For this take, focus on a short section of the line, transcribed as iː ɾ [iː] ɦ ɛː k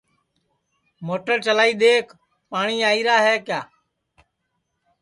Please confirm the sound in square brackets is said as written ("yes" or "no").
no